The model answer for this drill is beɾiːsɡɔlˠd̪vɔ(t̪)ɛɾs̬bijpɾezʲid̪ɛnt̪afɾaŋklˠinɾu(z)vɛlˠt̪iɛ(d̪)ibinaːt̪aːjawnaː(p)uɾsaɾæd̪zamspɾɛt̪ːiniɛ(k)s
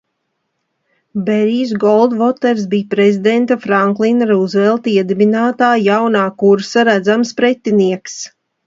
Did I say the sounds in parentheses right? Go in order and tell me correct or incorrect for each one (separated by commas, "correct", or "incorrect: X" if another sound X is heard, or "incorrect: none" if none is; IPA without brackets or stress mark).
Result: correct, correct, correct, incorrect: k, correct